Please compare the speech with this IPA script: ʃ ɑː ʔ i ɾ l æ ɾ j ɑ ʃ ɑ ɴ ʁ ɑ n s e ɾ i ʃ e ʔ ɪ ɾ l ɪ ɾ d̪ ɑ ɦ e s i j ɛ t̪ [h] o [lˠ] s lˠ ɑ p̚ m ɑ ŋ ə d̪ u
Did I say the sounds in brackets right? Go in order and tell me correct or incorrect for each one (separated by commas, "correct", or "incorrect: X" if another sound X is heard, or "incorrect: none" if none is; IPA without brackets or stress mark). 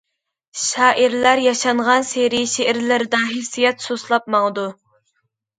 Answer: incorrect: s, incorrect: none